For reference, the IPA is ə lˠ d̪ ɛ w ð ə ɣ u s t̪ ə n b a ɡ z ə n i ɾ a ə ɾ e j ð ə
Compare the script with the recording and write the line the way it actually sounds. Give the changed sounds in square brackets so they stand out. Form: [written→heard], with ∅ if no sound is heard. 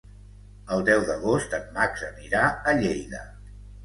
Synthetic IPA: ə lˠ d̪ ɛ w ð ə ɣ [u→o] s t̪ ə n [b→m] a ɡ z ə n i ɾ a ə [ɾ→ʎ] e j ð ə